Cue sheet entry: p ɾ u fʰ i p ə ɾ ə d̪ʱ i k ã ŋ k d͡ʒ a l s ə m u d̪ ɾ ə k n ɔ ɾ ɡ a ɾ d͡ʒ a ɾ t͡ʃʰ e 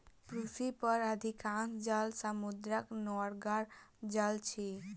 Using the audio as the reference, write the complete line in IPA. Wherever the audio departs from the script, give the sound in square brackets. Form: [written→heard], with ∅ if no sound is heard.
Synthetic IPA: p ɾ u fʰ i p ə ɾ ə d̪ʱ i k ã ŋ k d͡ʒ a l s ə m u d̪ ɾ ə k n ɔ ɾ ɡ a ɾ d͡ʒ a [ɾ→l] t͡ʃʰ [e→i]